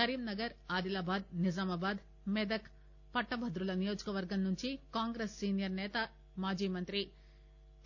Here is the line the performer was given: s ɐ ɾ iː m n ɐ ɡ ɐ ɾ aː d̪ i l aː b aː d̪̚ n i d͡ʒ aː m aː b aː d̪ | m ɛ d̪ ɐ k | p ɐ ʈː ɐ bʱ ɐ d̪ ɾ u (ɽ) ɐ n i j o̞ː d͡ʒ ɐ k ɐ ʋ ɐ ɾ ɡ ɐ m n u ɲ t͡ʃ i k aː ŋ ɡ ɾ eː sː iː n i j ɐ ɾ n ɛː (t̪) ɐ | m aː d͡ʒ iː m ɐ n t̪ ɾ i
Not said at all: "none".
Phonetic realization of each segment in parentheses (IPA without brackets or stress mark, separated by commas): l, t̪